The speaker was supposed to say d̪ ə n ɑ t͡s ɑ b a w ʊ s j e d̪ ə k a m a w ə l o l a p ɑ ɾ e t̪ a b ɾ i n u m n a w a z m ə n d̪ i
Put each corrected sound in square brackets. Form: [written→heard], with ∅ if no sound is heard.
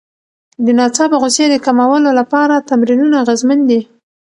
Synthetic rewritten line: d̪ ə n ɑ t͡s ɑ b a [w→ɣ] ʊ s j e d̪ ə k a m a w ə l o l a p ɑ ɾ [e→a] t̪ a [b→m] ɾ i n u [m→∅] n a [w→ɣ] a z m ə n d̪ i